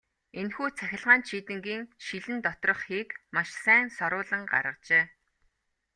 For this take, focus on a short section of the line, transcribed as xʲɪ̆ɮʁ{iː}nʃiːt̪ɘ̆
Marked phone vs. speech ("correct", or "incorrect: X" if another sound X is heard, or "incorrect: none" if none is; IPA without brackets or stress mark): incorrect: aː